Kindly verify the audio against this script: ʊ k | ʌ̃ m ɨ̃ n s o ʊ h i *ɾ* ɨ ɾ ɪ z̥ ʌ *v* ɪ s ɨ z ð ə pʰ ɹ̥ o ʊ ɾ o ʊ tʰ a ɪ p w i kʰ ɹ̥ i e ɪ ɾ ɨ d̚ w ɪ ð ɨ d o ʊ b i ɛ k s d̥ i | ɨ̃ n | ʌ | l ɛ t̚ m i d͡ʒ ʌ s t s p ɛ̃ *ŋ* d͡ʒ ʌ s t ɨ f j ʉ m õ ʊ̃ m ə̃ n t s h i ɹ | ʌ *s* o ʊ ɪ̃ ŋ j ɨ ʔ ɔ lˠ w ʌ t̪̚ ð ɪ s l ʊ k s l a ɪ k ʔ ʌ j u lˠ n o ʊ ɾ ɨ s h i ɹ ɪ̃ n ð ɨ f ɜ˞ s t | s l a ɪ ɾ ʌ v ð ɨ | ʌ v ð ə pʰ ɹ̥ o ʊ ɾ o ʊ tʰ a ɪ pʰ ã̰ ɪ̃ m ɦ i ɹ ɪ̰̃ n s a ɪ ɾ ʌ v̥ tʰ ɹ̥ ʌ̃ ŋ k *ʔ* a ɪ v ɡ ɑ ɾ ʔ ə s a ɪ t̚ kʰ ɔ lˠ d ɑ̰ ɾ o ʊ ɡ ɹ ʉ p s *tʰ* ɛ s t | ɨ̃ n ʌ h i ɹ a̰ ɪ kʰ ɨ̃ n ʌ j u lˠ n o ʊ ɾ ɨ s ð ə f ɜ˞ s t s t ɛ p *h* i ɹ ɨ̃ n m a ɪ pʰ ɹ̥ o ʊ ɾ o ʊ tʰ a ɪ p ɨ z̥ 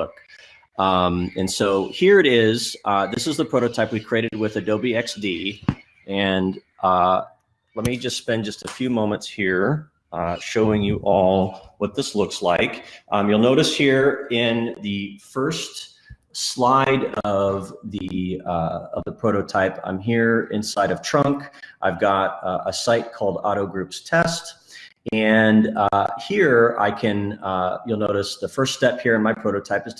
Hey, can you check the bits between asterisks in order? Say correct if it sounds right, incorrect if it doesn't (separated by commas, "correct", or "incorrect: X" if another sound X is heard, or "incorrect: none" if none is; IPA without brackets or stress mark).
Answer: incorrect: ɹ, incorrect: ð, incorrect: n, incorrect: ʃ, correct, correct, correct